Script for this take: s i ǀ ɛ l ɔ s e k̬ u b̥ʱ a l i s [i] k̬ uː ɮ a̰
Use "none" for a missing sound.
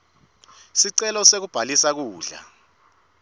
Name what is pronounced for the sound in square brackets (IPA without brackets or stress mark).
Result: a